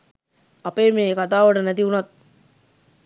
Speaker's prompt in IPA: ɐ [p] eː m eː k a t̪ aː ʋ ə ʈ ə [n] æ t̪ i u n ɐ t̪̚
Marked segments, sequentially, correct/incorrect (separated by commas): correct, correct